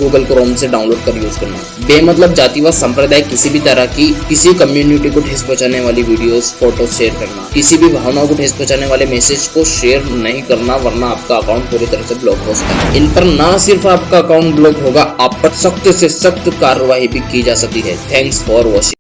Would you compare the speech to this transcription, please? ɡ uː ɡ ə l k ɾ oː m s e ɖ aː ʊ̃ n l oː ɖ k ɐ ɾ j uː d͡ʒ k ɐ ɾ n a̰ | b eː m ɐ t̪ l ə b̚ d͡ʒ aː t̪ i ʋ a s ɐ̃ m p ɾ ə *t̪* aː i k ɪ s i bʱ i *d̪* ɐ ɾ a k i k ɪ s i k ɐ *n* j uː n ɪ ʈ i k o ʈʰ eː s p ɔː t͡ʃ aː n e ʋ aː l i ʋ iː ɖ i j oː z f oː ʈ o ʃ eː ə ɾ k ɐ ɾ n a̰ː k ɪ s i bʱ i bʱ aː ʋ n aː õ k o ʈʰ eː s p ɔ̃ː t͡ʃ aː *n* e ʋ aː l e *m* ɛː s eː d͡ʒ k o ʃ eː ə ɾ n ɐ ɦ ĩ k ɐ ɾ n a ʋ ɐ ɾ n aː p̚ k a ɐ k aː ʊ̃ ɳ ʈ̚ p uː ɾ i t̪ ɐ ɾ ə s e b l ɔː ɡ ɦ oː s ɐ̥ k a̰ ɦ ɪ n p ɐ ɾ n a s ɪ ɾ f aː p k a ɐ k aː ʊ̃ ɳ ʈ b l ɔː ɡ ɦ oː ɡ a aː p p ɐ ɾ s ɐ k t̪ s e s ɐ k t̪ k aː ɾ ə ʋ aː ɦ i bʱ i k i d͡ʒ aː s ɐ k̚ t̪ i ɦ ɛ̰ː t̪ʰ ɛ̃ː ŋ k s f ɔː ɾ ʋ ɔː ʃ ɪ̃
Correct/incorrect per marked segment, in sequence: incorrect: d̪, incorrect: t̪, incorrect: m, correct, correct

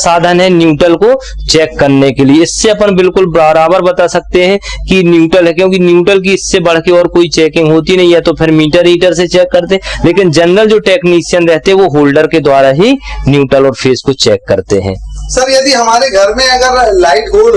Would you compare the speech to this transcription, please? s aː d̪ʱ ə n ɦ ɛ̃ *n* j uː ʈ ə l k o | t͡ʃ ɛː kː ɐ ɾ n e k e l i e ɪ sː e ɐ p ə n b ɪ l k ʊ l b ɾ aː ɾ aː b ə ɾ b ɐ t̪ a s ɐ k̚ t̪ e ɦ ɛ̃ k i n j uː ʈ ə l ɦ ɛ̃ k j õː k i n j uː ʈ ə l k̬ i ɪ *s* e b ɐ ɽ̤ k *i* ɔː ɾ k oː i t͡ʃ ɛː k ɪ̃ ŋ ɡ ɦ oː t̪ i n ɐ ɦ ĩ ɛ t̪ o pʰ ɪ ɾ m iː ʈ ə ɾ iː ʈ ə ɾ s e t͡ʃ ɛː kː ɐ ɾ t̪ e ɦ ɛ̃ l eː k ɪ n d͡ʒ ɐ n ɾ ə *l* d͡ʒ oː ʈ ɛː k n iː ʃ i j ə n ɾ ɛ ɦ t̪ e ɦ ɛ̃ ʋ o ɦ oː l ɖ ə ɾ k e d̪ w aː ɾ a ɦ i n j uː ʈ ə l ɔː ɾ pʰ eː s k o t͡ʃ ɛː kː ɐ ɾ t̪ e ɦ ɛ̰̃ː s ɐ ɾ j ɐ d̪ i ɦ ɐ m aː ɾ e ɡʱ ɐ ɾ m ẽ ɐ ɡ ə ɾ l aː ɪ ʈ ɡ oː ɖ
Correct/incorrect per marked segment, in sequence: correct, incorrect: sː, incorrect: e, correct

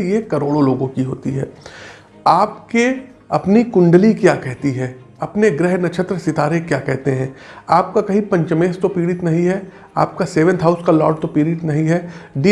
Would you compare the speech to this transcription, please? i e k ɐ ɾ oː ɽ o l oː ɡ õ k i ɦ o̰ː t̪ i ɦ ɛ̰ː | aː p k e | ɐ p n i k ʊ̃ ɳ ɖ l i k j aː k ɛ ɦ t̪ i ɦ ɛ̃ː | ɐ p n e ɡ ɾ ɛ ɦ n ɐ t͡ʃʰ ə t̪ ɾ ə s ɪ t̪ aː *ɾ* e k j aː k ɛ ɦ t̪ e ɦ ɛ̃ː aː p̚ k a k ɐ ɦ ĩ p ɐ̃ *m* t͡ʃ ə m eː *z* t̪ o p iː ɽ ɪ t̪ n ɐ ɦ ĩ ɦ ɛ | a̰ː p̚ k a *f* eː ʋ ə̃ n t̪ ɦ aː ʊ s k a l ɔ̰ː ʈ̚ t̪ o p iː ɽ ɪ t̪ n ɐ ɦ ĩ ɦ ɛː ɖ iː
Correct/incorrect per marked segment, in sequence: correct, incorrect: ɲ, incorrect: s, incorrect: s

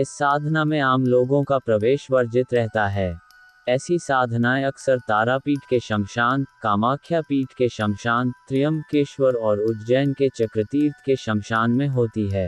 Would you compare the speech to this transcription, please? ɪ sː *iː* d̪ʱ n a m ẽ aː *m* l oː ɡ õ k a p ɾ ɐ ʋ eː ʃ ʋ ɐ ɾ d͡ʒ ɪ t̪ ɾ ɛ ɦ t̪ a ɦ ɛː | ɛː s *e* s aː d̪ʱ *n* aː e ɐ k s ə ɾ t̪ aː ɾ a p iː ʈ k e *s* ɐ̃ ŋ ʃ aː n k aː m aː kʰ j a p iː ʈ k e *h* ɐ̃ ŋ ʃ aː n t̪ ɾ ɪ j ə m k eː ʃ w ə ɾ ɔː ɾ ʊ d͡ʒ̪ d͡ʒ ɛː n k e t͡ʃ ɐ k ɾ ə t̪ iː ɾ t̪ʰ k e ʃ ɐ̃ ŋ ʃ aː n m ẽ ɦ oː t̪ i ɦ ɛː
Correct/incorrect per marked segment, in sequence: incorrect: aː, correct, incorrect: i, correct, incorrect: ʃ, incorrect: ʃ

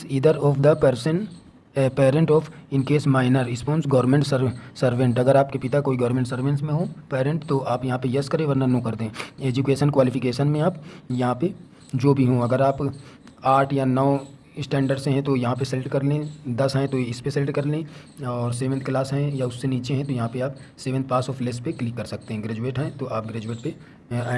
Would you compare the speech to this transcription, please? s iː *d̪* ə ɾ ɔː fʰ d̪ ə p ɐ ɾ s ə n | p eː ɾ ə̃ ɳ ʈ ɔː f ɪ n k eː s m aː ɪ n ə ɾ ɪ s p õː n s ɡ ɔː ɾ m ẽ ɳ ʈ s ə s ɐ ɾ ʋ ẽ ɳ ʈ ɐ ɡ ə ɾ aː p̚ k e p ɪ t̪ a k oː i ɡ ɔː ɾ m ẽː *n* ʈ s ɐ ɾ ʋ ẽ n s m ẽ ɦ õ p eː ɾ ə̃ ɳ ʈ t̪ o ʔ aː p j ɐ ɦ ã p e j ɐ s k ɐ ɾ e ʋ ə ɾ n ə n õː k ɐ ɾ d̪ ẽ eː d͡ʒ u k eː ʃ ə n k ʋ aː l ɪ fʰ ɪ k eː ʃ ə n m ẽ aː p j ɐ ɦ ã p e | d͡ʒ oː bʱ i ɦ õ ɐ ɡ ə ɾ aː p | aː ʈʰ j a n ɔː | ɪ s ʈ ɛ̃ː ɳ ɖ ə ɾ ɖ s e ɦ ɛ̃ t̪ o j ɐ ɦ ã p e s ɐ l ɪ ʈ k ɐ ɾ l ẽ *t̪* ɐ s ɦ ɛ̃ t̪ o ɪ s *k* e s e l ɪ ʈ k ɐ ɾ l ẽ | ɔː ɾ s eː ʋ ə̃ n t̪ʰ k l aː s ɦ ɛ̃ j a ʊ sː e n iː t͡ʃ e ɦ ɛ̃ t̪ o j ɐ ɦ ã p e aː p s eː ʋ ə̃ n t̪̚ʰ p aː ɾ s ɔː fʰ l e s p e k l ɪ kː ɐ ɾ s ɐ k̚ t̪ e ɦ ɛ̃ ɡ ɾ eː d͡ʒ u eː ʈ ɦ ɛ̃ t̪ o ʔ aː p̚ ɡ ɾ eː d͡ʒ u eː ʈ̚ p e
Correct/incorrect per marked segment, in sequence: correct, incorrect: ɳ, incorrect: d̪, incorrect: p

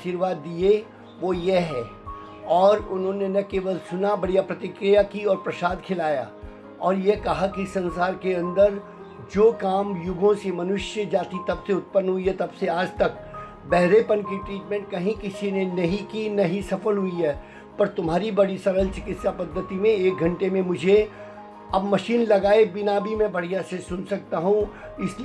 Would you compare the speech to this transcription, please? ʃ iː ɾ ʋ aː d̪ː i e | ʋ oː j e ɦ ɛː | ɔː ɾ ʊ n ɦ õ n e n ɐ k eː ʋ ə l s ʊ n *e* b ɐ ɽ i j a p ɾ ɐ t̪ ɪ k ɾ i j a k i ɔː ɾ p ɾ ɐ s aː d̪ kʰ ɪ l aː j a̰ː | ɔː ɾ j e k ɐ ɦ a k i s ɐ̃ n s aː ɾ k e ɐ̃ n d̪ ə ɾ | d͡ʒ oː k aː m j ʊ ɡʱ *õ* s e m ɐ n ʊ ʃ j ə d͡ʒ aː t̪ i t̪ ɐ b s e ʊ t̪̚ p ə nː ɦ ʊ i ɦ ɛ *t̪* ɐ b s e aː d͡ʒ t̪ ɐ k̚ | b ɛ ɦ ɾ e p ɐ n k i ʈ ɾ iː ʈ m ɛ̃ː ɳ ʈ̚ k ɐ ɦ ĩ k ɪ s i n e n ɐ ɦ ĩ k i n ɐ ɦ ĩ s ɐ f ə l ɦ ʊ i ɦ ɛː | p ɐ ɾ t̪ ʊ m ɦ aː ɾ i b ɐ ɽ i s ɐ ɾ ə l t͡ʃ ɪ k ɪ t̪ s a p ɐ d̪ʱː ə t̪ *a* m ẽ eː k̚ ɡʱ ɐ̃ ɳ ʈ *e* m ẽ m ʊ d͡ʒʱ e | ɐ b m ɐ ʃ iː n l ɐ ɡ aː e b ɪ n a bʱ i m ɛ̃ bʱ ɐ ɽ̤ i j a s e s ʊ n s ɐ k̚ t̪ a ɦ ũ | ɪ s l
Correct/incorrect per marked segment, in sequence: incorrect: a, correct, correct, incorrect: i, correct

